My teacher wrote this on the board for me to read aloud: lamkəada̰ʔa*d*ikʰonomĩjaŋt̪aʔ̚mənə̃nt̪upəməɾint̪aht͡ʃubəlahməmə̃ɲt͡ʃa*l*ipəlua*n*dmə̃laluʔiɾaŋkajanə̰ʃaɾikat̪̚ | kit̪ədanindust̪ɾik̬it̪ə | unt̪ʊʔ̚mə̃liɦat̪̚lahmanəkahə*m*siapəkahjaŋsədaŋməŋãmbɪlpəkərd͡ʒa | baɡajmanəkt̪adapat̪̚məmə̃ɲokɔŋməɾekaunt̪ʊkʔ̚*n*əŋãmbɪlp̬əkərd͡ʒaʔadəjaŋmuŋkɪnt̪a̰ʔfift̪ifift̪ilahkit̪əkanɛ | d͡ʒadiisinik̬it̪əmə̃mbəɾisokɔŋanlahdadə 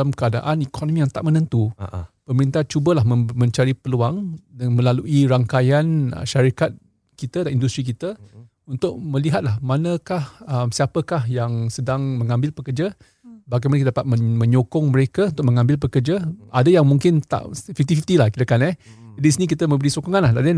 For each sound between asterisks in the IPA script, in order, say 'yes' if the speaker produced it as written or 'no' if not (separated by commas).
no, no, no, yes, no